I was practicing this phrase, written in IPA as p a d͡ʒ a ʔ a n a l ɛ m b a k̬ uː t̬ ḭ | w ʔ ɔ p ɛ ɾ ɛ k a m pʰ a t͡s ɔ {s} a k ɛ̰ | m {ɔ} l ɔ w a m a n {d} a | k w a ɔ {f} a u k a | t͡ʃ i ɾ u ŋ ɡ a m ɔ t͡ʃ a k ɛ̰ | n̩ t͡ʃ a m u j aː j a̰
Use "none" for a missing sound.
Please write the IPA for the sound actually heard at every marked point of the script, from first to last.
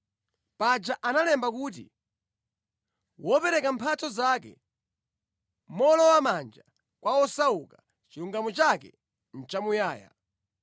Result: z, ɔ, d͡ʒ, s

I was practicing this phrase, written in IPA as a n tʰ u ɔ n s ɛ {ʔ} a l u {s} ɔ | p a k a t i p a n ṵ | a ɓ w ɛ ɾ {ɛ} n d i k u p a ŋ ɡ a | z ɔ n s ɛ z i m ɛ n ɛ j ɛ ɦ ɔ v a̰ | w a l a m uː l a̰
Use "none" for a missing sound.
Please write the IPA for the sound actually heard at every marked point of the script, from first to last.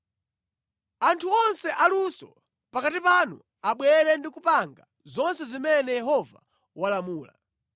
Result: ʔ, s, ɛ

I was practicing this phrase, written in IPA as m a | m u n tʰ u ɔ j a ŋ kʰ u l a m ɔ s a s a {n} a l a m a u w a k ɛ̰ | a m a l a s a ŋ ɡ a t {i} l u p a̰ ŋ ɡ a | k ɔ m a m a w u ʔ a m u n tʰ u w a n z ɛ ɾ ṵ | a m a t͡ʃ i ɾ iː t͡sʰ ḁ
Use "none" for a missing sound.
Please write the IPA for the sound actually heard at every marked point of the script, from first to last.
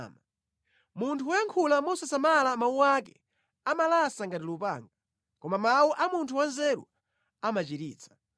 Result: m, i

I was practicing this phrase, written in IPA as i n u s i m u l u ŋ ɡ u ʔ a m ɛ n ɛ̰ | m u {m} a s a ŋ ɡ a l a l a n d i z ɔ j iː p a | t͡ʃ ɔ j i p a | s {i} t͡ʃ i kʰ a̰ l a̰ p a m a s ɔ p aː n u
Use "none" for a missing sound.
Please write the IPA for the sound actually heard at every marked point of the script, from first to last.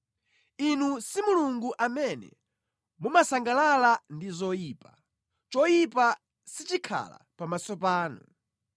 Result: m, i

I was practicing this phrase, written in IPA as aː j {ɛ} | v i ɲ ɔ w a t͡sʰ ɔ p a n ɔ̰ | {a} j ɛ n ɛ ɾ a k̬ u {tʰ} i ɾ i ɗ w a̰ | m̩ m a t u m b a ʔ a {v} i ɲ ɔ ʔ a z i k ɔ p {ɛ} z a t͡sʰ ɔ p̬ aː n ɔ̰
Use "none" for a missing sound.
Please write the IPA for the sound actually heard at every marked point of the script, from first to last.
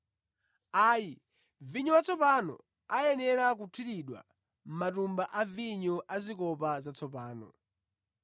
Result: i, a, tʰ, v, a

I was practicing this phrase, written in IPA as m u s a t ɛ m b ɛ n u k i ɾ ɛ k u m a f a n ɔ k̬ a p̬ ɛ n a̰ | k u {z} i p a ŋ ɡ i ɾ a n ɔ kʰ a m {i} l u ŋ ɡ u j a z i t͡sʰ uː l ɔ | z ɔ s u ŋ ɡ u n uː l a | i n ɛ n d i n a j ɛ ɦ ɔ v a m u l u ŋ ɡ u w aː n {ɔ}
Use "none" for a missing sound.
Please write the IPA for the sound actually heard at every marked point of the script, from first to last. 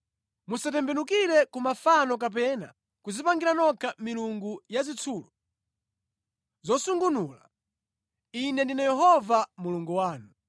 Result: z, i, u

